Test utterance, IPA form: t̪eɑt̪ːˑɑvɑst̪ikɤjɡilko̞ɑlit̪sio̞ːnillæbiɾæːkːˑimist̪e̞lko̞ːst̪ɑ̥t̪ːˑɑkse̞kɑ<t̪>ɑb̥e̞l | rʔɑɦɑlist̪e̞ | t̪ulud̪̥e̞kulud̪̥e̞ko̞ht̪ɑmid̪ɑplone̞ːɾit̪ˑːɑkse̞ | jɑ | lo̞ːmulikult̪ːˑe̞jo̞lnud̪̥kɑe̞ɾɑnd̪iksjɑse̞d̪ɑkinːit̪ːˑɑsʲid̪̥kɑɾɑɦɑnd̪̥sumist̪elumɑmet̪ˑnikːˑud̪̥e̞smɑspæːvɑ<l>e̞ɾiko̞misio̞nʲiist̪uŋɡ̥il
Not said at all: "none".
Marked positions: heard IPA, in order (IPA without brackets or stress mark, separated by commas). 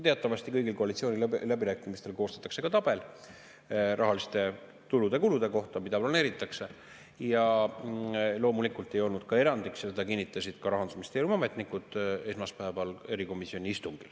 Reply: t̪, l